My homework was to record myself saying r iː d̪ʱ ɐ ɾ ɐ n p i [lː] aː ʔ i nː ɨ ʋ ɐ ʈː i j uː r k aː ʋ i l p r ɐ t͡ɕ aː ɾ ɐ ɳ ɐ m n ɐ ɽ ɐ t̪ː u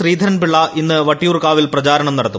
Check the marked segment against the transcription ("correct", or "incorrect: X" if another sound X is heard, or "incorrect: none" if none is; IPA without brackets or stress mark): incorrect: ɭː